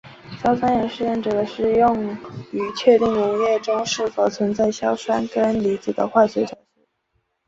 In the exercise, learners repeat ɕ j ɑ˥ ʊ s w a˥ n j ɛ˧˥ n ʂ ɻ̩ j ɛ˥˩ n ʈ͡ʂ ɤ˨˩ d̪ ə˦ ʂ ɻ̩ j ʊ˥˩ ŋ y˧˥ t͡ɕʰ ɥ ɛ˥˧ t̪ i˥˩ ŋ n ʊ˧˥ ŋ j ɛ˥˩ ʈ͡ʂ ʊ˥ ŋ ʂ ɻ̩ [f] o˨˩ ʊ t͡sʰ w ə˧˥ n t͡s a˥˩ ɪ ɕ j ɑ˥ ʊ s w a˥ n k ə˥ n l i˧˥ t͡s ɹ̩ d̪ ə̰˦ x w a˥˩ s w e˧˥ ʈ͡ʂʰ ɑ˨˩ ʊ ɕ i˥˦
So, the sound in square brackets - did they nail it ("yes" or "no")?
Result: yes